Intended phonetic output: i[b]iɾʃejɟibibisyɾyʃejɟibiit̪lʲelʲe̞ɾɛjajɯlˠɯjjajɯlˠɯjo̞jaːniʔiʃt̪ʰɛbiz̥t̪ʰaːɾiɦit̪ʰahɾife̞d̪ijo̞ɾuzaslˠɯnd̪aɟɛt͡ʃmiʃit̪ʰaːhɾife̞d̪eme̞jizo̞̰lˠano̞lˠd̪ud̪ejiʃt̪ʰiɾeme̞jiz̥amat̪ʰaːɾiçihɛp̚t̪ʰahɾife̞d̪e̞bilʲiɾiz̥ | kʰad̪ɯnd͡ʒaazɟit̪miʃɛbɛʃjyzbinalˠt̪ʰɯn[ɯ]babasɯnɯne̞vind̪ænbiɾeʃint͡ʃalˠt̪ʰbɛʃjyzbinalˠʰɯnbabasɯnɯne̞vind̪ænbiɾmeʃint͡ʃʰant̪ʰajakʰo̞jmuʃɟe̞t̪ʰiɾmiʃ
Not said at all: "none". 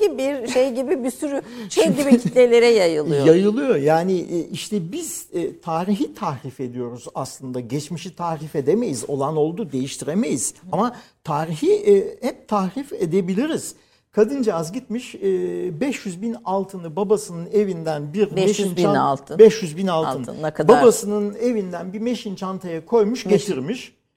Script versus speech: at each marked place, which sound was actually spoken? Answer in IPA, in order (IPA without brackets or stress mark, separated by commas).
b, ɯ